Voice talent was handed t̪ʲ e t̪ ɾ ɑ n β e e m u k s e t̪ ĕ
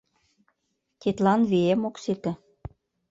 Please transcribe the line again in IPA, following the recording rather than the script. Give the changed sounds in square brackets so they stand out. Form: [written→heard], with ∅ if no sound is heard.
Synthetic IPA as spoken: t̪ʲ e t̪ [ɾ→l] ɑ n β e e m [u→o] k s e t̪ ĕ

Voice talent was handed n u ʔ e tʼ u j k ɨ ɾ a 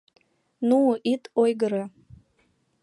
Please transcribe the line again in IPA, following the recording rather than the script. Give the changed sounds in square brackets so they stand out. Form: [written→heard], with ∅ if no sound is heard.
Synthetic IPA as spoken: n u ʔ [e→i] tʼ [u→o] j [k→ɡ] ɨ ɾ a

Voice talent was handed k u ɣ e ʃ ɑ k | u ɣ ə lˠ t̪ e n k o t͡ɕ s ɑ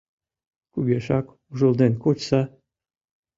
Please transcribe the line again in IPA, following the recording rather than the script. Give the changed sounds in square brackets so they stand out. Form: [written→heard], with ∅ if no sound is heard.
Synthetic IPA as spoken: k u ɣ e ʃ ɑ k | u [ɣ→ʒ] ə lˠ [t̪→d̪] e n k o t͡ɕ s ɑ

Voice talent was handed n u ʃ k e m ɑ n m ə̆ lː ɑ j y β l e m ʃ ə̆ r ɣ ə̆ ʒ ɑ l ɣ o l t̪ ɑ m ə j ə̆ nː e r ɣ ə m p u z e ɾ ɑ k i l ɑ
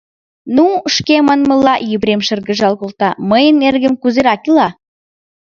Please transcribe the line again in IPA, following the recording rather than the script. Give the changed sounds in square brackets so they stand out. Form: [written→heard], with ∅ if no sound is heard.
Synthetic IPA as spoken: n u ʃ k e m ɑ n m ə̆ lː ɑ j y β [l→ɾ] e m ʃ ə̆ r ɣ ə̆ ʒ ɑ l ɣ o l t̪ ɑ m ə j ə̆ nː e r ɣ ə m [p→k] u z e ɾ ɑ k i l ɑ

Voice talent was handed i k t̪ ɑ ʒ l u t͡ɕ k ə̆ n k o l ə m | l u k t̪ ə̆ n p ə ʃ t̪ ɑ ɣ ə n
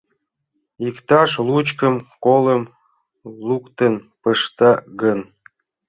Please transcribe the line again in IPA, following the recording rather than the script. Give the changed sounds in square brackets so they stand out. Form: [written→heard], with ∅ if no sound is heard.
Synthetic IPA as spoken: i k t̪ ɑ [ʒ→ʃ] l u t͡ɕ k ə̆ [n→m] k o l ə m | l u k t̪ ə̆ n p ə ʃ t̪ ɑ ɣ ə n

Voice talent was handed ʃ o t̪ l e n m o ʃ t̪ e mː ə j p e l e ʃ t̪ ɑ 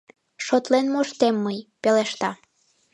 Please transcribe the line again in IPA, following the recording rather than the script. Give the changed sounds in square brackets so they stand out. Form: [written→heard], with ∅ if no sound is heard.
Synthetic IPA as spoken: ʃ o t̪ l e n m o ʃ t̪ e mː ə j p e l e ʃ t̪ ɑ

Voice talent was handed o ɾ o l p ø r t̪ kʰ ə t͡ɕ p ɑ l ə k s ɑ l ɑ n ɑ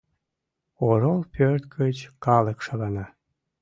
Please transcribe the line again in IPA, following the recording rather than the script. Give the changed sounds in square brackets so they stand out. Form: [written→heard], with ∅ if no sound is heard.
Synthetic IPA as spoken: o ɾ o l p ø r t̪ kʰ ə t͡ɕ [p→k] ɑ l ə k [s→ʃ] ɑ l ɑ n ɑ

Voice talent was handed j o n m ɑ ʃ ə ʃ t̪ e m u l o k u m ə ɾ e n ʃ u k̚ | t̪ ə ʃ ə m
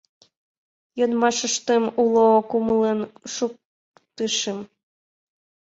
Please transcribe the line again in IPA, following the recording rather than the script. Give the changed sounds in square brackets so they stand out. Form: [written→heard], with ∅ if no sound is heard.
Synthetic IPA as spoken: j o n m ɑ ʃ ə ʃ t̪ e m u l o k u m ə [ɾ→l] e n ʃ u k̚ | t̪ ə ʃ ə m

